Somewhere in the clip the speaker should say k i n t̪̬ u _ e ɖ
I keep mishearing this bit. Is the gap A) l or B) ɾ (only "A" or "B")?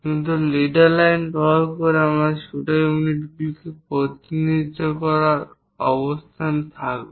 A